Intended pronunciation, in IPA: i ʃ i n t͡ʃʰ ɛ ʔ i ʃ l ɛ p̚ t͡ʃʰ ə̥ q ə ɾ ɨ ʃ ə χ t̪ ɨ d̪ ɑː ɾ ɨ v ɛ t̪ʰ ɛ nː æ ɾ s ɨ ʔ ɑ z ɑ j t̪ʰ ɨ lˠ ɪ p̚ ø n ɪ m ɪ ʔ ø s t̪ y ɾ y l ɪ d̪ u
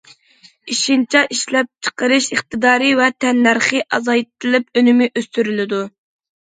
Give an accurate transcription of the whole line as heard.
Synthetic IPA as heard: i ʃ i n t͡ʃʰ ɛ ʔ i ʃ l ɛ p̚ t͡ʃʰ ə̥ q ə ɾ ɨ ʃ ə χ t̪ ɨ d̪ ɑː ɾ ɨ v ɛ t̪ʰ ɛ nː æ ɾ χ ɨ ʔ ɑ z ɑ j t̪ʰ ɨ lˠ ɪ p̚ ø n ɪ m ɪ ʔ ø s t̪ y ɾ y l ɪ d̪ u